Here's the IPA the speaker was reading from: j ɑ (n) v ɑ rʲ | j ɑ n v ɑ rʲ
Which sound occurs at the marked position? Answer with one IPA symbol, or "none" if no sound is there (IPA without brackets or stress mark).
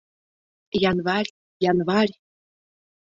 n